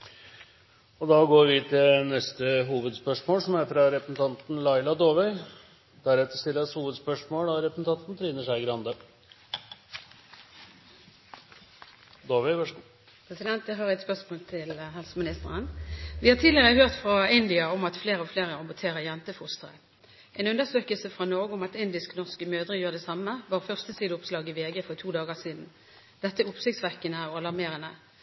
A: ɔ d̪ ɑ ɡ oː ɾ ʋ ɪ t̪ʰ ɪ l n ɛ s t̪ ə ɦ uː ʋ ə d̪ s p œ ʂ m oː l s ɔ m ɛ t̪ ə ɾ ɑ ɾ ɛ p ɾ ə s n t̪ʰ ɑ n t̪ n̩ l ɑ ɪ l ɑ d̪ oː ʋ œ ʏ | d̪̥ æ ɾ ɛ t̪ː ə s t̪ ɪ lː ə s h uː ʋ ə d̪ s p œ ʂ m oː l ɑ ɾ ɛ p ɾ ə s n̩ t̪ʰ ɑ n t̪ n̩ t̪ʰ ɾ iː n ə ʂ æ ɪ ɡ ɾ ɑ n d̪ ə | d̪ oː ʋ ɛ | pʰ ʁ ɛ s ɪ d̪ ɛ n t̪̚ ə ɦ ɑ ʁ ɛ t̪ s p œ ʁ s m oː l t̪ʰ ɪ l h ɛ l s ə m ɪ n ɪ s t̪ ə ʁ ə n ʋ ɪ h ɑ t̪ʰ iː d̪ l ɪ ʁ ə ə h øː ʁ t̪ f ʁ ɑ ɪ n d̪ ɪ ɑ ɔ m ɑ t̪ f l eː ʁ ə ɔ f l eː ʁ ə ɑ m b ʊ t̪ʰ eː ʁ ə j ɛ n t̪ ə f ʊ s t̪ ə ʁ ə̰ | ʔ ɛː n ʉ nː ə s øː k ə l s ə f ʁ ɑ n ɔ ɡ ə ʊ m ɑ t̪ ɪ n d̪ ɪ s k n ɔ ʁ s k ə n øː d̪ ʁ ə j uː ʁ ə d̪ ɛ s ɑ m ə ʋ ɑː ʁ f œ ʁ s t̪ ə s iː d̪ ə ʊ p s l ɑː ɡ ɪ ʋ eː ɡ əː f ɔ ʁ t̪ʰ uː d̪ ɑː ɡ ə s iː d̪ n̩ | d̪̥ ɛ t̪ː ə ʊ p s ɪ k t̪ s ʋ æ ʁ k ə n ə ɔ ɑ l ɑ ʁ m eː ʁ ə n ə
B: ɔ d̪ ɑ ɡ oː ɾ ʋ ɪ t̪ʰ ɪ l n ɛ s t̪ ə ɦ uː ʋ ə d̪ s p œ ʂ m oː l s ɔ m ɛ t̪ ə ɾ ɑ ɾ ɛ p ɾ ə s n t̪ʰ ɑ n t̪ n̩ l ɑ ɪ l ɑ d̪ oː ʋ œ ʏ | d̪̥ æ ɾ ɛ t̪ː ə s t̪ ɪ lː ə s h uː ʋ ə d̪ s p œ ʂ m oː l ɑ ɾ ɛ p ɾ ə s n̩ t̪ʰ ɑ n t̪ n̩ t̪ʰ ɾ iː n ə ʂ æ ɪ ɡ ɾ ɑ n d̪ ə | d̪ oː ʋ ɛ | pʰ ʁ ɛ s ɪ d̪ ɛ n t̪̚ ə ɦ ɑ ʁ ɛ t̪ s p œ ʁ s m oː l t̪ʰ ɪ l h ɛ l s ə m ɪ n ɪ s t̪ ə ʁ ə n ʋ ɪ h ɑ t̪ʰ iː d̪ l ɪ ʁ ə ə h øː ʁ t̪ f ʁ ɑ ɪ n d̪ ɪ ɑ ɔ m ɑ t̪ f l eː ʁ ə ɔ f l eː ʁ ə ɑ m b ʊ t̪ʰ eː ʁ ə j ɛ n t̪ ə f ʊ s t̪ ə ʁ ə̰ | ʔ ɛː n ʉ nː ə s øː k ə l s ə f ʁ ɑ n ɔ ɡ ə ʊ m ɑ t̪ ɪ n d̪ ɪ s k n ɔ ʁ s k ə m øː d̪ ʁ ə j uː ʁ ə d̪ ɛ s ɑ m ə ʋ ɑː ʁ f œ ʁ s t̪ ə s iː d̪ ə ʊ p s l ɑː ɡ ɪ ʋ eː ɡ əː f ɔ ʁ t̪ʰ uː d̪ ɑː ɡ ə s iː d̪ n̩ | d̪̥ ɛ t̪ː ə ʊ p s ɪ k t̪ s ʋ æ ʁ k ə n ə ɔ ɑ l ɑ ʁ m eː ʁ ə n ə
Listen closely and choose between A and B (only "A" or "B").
B